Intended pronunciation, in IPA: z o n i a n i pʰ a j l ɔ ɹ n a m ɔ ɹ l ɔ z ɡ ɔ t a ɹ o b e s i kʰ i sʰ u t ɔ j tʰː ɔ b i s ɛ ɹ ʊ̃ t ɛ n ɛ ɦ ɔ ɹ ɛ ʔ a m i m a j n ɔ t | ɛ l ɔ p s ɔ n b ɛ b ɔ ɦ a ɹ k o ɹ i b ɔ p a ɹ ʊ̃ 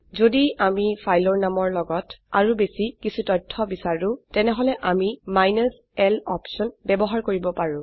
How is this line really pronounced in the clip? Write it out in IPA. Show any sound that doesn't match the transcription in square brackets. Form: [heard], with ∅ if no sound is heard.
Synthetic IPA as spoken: z o [d] i a [m] i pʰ a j l ɔ ɹ n a m ɔ ɹ l ɔ [∅] ɡ ɔ t a ɹ [u] b e s i [k] i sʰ u t ɔ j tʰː ɔ b i s [a] ɹ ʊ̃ t ɛ n ɛ ɦ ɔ [l] ɛ ʔ a m i m a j n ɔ [s] | ɛ l ɔ p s ɔ n b ɛ b ɔ ɦ a ɹ k o ɹ i b ɔ p a ɹ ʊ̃